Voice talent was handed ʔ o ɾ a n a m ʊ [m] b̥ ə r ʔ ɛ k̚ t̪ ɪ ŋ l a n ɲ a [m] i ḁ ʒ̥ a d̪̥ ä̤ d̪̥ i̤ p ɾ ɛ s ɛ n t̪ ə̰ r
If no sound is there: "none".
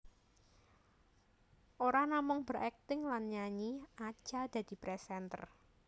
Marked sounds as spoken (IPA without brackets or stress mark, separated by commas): ŋ, ɲ